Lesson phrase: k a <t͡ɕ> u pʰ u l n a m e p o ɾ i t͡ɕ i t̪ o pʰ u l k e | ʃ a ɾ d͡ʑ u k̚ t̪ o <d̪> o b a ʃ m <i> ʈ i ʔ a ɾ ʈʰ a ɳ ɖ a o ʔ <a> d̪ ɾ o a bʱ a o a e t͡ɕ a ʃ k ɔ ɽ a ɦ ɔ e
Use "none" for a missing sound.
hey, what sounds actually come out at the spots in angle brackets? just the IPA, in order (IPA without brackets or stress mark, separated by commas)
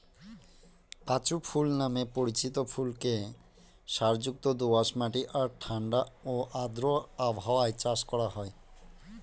t͡ɕ, d̪, a, a